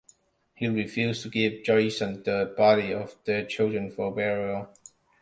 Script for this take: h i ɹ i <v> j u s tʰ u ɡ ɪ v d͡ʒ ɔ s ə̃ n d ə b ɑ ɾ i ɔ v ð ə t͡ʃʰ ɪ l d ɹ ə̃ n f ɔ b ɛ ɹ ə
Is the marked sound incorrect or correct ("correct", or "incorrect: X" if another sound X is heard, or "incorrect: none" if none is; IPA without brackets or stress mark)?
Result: incorrect: f